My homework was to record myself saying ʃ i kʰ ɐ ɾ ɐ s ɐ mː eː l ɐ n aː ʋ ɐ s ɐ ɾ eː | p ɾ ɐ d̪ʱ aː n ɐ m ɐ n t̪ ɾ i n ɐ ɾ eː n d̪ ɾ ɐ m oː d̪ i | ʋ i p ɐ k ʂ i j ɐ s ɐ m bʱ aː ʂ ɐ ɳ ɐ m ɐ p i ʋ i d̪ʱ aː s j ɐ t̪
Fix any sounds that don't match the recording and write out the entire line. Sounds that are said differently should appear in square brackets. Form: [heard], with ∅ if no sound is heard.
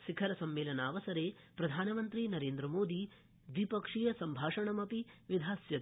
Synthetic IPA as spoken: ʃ i kʰ ɐ ɾ ɐ s ɐ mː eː l ɐ n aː ʋ ɐ s ɐ ɾ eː | p ɾ ɐ d̪ʱ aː n ɐ m ɐ n t̪ ɾ i n ɐ ɾ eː n d̪ ɾ ɐ m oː d̪ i | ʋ i p ɐ k ʂ i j ɐ s ɐ m bʱ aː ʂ ɐ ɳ ɐ m ɐ p i ʋ i d̪ʱ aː s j ɐ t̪